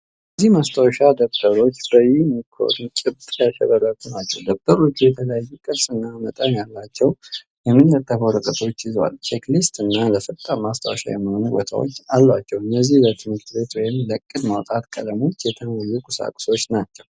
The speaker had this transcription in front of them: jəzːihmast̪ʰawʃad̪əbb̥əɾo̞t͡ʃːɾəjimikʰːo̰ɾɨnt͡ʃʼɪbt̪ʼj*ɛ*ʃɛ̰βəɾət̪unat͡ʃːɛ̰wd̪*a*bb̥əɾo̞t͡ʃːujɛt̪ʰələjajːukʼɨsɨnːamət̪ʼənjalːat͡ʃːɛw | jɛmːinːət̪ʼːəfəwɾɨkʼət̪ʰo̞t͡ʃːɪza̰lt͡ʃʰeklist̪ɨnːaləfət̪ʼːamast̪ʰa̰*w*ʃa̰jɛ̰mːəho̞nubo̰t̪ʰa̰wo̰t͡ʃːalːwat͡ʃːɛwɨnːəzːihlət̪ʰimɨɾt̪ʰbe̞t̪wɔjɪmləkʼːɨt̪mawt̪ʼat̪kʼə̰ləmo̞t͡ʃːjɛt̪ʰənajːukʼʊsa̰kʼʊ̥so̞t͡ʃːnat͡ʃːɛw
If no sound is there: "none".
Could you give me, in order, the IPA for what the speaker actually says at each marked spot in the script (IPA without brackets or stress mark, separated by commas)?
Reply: a, ə, w